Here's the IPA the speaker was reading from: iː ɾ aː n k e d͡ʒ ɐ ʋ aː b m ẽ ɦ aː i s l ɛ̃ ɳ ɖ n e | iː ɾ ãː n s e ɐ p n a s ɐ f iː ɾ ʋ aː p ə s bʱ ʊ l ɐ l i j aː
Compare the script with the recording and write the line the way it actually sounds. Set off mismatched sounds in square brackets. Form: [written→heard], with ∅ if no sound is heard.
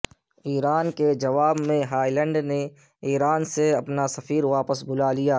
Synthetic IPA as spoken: iː ɾ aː n k e d͡ʒ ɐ ʋ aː b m ẽ ɦ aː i [s→∅] l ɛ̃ ɳ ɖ n e | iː ɾ [ãː→aː] n s e ɐ p n a s ɐ f iː ɾ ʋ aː p ə s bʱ ʊ l [ɐ→a] l i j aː